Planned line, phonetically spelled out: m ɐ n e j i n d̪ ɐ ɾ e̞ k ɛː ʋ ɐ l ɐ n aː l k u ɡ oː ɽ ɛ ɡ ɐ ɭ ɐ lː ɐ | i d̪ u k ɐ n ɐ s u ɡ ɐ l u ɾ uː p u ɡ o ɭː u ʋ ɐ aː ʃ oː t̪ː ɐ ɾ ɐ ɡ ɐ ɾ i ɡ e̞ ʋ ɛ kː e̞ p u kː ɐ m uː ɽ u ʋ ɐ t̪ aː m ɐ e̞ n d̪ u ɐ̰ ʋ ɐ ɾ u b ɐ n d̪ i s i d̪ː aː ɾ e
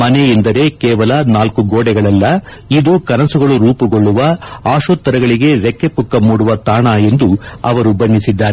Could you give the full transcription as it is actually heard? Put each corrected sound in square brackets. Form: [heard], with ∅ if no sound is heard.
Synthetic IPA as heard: m ɐ n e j i n d̪ ɐ ɾ e̞ k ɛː ʋ ɐ l ɐ n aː l k u ɡ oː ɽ ɛ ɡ ɐ ɭ ɐ lː ɐ | i d̪ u k ɐ n ɐ s u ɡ ɐ [ɭ] u ɾ uː p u ɡ o ɭː u ʋ ɐ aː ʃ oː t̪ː ɐ ɾ ɐ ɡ ɐ [ɭ] i ɡ e̞ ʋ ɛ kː e̞ p u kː ɐ m uː ɽ u ʋ ɐ t̪ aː [ɳ] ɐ e̞ n d̪ u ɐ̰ ʋ ɐ ɾ u b ɐ n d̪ i s i d̪ː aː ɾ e